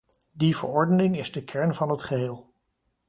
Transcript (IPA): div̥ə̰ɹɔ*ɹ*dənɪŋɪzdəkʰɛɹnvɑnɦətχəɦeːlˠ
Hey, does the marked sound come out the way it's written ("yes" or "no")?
yes